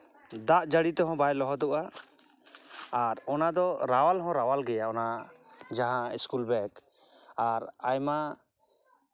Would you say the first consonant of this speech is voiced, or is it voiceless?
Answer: voiced